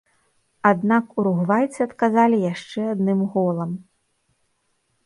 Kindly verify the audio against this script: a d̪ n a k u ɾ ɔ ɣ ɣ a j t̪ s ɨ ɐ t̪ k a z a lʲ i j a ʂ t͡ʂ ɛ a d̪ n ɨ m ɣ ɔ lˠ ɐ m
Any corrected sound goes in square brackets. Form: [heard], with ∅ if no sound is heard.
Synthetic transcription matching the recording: a d̪ n a k u ɾ [u] ɣ [v] a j t̪ s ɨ ɐ t̪ k a z a lʲ i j a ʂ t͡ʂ ɛ a d̪ n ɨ m ɣ ɔ lˠ ɐ m